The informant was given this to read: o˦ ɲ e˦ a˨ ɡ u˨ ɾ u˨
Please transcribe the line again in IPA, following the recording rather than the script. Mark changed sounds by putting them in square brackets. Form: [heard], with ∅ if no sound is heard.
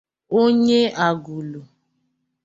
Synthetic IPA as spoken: o˦ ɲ e˦ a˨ ɡ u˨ [l] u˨